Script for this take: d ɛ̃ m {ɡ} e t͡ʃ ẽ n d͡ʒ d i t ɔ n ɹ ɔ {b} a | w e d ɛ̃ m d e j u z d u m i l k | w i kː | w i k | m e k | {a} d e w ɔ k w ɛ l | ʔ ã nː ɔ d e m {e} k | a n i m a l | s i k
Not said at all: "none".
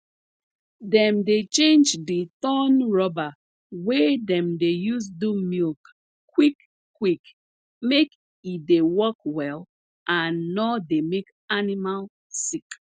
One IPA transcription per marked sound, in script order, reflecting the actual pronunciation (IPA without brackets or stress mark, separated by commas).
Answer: d, b, i, e